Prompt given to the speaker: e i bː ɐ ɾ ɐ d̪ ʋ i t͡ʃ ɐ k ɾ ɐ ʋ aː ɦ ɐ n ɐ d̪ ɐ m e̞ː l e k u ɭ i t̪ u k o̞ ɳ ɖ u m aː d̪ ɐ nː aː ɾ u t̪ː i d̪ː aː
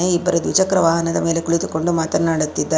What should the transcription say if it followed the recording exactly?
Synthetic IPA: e i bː ɐ ɾ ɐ d̪ ʋ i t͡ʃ ɐ k ɾ ɐ ʋ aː ɦ ɐ n ɐ d̪ ɐ m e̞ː l e k u ɭ i t̪ u k o̞ ɳ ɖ u m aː t̪ ɐ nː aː ɽ u t̪ː i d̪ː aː

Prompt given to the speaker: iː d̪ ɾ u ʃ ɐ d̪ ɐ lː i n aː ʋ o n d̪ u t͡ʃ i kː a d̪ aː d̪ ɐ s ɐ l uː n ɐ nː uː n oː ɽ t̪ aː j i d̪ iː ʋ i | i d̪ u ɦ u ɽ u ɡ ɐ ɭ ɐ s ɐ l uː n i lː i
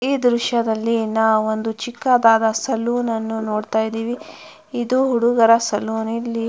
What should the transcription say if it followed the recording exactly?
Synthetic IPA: iː d̪ ɾ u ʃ ɐ d̪ ɐ lː i n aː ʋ o n d̪ u t͡ʃ i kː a d̪ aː d̪ ɐ s ɐ l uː n ɐ nː u n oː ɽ t̪ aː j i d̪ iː ʋ i | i d̪ u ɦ u ɽ u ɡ ɐ ɾ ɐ s ɐ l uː n i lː i

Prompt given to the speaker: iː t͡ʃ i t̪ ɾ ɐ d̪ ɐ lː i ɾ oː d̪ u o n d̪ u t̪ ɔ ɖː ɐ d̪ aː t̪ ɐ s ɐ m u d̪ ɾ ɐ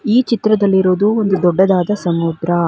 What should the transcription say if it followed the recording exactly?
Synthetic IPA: iː t͡ʃ i t̪ ɾ ɐ d̪ ɐ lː i ɾ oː d̪ u o n d̪ u d̪ ɔ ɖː ɐ d̪ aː d̪ ɐ s ɐ m u d̪ ɾ ɐ

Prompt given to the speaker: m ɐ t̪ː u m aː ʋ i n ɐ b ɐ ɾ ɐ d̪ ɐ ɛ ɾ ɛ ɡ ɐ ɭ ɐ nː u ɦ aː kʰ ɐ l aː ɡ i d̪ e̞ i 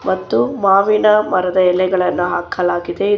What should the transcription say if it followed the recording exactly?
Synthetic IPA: m ɐ t̪ː u m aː ʋ i n ɐ m ɐ ɾ ɐ d̪ ɐ ɛ l ɛ ɡ ɐ ɭ ɐ nː u ɦ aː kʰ ɐ l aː ɡ i d̪ e̞ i

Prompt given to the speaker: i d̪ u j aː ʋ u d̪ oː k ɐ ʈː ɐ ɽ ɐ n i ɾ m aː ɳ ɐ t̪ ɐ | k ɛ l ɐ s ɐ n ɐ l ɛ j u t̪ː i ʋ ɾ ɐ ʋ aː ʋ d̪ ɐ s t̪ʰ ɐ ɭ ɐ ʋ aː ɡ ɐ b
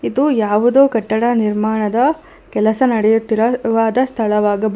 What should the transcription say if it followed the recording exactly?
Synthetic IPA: i d̪ u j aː ʋ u d̪ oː k ɐ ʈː ɐ ɽ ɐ n i ɾ m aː ɳ ɐ d̪ ɐ | k ɛ l ɐ s ɐ n ɐ ɽ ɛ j u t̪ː i ɾ ɐ ʋ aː d̪ ɐ s t̪ʰ ɐ ɭ ɐ ʋ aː ɡ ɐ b

